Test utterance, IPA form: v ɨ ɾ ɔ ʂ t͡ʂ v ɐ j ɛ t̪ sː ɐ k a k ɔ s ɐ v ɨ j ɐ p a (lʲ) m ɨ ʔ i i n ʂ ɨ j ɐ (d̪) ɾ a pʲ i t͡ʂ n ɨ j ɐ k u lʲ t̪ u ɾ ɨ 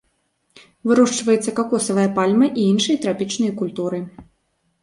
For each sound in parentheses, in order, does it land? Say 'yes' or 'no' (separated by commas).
yes, no